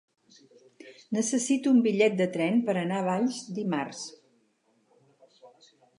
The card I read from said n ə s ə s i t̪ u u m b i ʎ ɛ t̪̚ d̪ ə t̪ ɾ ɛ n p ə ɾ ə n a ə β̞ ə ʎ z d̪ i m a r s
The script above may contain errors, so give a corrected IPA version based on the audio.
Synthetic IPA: n ə s ə s i t̪ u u m b i ʎ ɛ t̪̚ d̪ ə t̪ ɾ ɛ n p ə ɾ ə n a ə β̞ a ʎ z d̪ i m a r s